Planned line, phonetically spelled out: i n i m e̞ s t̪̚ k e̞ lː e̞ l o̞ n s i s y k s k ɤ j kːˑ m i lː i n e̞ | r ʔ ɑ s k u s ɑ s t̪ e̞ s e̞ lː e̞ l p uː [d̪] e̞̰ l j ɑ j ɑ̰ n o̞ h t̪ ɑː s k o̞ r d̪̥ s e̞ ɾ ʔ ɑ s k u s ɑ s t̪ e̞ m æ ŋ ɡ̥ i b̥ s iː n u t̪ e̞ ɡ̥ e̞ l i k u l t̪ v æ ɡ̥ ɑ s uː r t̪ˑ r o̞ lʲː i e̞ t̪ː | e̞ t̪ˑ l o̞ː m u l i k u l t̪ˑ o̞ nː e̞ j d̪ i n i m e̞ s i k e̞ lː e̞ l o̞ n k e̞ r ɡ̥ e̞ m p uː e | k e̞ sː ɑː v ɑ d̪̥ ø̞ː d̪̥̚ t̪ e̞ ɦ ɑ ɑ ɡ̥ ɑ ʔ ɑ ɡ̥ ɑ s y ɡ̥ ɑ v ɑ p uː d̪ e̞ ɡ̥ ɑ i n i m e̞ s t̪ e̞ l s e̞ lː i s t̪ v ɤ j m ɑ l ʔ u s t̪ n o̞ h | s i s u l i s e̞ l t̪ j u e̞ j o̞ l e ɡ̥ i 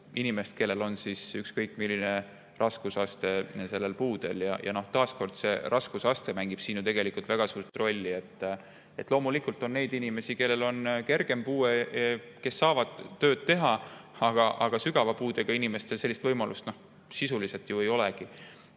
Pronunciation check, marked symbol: correct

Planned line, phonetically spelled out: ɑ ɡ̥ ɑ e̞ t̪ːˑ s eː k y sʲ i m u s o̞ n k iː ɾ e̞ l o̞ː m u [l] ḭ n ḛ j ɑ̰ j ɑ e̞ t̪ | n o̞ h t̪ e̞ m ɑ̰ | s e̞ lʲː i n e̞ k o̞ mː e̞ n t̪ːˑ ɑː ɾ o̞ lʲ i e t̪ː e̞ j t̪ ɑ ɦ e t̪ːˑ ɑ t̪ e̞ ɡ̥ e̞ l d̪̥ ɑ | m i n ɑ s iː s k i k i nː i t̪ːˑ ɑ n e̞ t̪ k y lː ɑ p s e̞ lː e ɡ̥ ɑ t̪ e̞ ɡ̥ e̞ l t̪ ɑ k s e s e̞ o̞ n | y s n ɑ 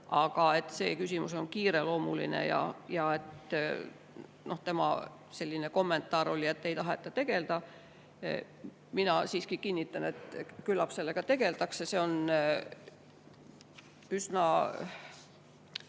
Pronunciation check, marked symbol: correct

